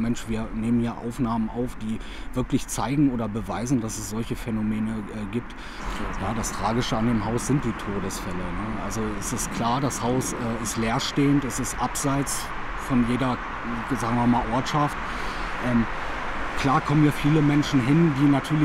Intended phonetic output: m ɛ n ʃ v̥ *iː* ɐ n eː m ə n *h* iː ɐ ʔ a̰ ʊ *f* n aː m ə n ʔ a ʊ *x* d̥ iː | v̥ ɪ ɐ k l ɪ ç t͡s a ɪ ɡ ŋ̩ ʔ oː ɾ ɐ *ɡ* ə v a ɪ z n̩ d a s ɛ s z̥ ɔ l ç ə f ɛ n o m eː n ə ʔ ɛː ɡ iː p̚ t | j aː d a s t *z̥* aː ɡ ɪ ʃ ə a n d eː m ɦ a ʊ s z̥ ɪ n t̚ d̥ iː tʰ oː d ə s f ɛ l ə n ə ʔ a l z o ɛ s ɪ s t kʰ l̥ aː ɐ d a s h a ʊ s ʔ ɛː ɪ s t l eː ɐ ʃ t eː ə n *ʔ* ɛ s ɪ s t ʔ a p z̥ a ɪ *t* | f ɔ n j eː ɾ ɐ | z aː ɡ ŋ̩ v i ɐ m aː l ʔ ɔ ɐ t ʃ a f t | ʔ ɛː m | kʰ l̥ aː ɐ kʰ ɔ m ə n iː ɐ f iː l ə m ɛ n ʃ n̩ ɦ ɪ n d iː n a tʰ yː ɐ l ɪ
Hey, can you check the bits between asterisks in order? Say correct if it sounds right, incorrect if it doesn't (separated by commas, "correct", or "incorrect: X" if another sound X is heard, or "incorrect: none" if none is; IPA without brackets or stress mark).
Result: correct, correct, correct, incorrect: f, incorrect: b, incorrect: ʁ̥, incorrect: t, incorrect: t͡s